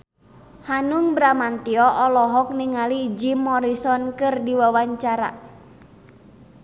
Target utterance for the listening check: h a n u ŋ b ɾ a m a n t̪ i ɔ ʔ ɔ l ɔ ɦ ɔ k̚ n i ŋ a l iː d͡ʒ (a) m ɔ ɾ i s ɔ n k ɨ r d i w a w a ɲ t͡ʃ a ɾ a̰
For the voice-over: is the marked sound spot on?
no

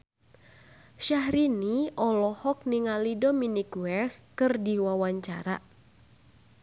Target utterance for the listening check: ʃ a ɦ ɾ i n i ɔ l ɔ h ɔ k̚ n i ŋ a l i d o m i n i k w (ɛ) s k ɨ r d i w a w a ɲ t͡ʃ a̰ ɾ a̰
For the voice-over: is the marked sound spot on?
yes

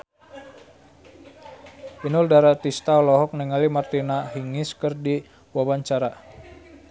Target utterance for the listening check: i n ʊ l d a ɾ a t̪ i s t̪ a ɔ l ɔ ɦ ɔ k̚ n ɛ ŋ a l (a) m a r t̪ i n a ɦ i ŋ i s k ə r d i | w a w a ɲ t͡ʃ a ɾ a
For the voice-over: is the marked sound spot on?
no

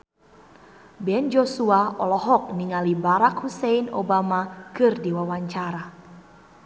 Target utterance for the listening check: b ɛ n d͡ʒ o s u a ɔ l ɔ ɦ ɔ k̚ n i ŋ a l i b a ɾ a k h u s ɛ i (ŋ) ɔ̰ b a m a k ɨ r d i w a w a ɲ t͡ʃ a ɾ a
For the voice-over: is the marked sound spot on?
no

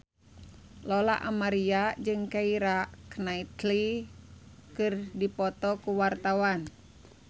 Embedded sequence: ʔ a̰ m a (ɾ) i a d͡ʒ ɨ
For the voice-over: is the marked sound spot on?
yes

